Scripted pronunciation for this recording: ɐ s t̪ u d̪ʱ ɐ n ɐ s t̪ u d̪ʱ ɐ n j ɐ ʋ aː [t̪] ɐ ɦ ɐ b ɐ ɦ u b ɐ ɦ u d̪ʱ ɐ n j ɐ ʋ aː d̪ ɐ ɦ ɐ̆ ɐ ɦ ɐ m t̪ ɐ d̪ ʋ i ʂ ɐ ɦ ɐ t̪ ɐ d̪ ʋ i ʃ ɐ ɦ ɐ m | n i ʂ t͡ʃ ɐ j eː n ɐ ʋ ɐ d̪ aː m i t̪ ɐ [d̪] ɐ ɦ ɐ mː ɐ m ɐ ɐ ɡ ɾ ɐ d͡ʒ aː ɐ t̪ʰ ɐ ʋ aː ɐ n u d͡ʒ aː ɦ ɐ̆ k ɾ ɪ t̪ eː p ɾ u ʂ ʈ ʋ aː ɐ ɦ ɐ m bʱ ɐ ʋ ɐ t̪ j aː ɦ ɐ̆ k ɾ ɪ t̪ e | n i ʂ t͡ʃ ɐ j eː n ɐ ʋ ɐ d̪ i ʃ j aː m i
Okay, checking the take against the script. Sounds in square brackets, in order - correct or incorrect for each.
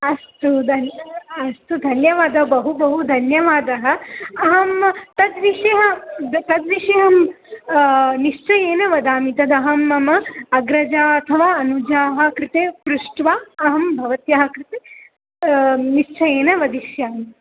incorrect: d̪, correct

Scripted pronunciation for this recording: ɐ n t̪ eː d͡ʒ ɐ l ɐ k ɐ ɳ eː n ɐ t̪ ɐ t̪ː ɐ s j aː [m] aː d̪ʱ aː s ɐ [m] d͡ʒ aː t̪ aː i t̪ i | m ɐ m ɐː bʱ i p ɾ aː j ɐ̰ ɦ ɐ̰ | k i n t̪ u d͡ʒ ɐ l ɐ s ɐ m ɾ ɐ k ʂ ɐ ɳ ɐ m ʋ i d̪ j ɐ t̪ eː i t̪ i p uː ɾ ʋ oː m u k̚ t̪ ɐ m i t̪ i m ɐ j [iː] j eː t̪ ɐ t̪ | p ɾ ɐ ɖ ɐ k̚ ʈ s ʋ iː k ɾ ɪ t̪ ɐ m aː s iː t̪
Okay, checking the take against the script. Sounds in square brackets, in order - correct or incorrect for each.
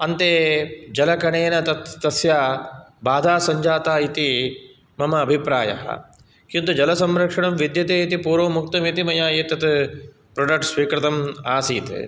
incorrect: b, incorrect: ɲ, incorrect: aː

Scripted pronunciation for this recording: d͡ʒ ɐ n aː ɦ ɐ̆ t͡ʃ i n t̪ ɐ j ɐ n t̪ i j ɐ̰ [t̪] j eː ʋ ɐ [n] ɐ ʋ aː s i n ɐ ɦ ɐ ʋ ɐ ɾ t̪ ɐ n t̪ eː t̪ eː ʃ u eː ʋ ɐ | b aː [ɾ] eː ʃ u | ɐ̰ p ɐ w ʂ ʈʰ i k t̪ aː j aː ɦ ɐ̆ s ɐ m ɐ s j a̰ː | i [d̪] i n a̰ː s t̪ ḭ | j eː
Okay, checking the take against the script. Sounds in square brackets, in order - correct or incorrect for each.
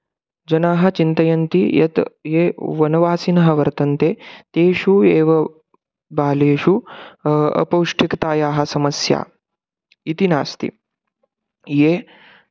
correct, correct, incorrect: l, incorrect: t̪

